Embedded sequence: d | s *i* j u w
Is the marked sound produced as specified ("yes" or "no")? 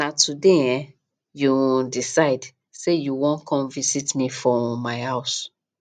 no